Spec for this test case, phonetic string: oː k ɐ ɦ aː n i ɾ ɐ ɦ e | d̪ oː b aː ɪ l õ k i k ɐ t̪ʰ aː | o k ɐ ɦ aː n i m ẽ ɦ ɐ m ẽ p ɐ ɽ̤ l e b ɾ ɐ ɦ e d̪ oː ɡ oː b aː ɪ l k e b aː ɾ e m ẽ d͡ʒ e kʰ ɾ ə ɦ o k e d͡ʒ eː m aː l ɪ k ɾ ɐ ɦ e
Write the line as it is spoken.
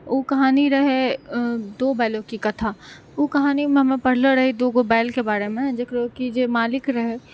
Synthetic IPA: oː k ɐ ɦ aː n i ɾ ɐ ɦ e | d̪ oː b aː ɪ l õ k i k ɐ t̪ʰ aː | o k ɐ ɦ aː n i m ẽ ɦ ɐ m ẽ p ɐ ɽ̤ l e ɾ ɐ ɦ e d̪ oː ɡ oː b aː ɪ l k e b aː ɾ e m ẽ d͡ʒ e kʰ ɾ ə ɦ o k i d͡ʒ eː m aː l ɪ k ɾ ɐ ɦ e